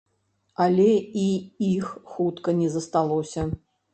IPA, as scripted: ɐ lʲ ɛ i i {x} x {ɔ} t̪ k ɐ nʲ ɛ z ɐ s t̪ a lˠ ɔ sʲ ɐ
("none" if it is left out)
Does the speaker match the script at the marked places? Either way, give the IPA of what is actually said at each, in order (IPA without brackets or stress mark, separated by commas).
x, u